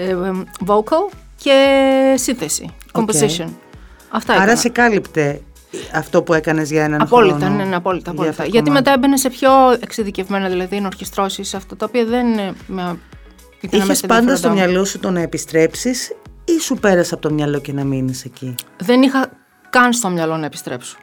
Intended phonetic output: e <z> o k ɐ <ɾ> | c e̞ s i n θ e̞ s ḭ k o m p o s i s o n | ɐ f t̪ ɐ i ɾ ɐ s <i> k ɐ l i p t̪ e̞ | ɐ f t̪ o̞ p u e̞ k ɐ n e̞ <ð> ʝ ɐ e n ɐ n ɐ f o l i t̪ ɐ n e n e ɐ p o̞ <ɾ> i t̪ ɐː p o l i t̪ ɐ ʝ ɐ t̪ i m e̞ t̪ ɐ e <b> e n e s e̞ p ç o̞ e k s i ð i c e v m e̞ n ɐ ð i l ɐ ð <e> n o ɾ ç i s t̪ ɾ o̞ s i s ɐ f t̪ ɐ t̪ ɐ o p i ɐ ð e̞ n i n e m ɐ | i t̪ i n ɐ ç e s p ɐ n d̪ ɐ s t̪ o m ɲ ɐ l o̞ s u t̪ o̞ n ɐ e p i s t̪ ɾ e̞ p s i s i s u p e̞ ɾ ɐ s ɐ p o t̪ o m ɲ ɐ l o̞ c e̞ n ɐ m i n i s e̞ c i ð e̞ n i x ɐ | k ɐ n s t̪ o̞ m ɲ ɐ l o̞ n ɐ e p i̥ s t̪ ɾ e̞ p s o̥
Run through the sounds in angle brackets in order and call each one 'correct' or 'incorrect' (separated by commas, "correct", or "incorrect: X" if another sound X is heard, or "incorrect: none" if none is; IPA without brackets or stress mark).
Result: incorrect: v, incorrect: l, incorrect: e, incorrect: z, incorrect: l, correct, incorrect: i